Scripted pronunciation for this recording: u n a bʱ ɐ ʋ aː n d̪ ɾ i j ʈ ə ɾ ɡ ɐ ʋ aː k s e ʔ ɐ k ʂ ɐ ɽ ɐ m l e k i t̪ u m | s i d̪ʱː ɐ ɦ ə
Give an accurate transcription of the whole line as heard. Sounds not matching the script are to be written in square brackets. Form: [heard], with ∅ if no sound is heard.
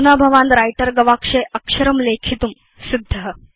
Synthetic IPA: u n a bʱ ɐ ʋ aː n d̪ ɾ [a] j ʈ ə ɾ ɡ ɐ ʋ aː k [ʂ] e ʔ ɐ k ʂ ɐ [ɾ] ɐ m l e [kʰ] i t̪ u m | s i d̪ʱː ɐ ɦ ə